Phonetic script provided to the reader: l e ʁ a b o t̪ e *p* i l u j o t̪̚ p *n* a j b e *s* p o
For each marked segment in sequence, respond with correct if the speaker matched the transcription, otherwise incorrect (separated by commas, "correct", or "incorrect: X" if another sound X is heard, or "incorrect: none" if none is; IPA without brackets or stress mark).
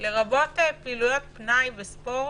correct, correct, correct